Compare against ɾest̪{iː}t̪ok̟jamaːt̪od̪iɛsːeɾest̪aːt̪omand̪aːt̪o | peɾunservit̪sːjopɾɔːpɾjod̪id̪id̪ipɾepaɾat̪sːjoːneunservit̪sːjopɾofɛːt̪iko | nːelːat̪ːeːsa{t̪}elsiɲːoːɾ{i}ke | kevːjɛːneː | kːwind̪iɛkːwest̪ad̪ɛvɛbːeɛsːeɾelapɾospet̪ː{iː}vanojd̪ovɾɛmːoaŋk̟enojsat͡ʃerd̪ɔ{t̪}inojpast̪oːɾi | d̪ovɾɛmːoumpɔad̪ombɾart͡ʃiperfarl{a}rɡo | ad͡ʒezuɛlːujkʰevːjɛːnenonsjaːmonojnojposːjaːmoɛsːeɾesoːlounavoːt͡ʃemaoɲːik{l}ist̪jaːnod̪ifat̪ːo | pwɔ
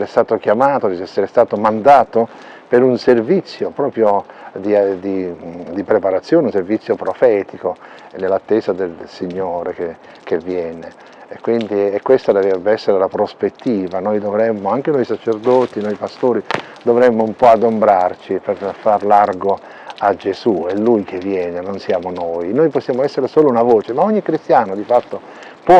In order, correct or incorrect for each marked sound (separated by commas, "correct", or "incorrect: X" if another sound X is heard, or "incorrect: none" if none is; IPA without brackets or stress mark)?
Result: incorrect: aː, incorrect: d̪, incorrect: e, correct, correct, correct, incorrect: ɾ